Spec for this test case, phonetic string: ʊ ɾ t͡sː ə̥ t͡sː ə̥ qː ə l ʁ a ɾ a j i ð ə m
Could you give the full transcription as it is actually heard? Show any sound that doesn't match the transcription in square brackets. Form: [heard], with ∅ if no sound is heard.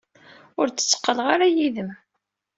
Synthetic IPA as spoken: ʊ ɾ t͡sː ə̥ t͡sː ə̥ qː ə l ʁ a ɾ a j i ð ə m